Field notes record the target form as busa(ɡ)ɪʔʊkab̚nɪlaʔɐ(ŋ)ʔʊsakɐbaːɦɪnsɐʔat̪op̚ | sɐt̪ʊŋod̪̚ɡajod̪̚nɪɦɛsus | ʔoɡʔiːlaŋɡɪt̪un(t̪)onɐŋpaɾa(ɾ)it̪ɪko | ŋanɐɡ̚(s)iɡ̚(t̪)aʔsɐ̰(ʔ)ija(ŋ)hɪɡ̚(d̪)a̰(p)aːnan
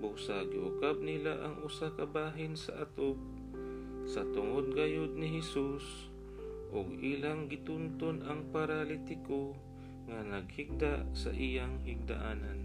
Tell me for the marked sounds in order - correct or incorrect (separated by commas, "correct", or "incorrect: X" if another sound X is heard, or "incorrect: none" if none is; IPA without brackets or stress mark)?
correct, correct, correct, incorrect: l, incorrect: h, incorrect: d̪, correct, correct, correct, incorrect: ʔ